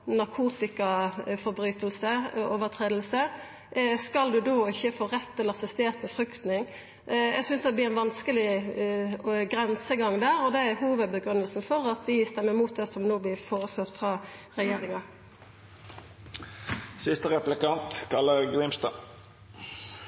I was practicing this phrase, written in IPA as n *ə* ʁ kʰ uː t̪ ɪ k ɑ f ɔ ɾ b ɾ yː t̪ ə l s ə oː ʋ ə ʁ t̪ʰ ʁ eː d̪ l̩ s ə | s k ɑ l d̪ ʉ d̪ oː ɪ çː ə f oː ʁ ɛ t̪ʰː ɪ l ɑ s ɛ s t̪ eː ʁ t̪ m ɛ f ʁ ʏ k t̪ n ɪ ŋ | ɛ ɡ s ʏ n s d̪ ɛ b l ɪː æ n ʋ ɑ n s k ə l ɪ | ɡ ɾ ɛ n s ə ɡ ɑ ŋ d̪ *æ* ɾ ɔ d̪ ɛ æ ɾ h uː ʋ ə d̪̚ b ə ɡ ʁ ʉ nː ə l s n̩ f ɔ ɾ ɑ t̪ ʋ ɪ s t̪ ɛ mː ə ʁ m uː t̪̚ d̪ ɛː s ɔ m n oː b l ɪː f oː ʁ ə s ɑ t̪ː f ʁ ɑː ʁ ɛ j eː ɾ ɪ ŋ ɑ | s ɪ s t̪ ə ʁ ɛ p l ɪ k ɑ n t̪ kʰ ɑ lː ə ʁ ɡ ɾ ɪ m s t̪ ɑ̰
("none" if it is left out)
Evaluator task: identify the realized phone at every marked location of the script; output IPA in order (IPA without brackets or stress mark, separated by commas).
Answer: ɑ, æː